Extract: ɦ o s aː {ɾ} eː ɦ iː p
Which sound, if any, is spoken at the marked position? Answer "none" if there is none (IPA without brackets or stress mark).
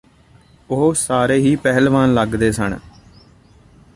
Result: ɾ